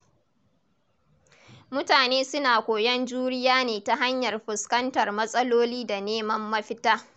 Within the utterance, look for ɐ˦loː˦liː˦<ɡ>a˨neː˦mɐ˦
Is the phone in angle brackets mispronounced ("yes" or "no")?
yes